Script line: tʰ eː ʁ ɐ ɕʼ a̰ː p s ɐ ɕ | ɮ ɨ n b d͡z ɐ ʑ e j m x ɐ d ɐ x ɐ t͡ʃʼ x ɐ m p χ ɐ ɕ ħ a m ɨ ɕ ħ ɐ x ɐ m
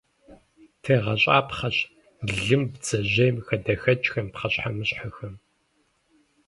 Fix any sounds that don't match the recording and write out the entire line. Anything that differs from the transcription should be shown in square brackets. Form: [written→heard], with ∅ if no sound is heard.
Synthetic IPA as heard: tʰ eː ʁ ɐ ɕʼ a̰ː p [s→χ] ɐ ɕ | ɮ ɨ [n→m] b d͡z ɐ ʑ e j m x ɐ d ɐ x ɐ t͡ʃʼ x ɐ m p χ ɐ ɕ ħ a m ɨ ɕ ħ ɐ x ɐ m